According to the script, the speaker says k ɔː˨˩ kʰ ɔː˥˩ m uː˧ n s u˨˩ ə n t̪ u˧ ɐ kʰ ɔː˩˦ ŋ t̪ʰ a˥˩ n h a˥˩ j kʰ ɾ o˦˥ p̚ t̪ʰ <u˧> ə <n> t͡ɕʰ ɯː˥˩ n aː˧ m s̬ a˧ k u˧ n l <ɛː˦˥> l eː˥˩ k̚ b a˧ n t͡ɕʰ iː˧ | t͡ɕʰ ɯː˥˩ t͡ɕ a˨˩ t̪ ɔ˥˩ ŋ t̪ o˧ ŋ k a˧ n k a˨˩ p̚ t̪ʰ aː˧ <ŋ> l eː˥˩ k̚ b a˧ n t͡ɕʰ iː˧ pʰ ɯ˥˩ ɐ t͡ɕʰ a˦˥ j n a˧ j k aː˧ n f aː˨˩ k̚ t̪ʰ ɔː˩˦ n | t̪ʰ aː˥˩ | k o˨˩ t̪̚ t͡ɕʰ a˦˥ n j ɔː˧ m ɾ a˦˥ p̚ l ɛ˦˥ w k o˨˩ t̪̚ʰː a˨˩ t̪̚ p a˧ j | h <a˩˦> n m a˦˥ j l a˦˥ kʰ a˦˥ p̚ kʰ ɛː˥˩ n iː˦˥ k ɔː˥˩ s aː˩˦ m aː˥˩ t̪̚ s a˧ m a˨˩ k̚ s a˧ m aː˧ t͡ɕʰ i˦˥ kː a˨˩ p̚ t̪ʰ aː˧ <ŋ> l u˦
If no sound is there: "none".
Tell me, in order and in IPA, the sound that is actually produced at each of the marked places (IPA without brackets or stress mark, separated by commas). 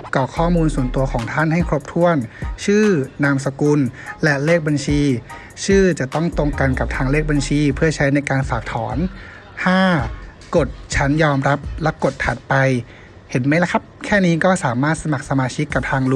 u˥˩, n, ɛ˦˥, ŋ, e˩˦, ŋ